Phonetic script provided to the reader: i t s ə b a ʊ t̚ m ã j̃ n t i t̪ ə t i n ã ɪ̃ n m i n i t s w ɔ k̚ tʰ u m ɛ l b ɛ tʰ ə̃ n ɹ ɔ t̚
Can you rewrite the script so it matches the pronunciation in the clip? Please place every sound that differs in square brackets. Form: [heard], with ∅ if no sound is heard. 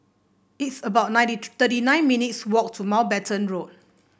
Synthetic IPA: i t s ə b a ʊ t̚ [n] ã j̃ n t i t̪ ə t i n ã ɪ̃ n m i n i t s w ɔ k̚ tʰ u m [a] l b ɛ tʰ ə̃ n ɹ [o] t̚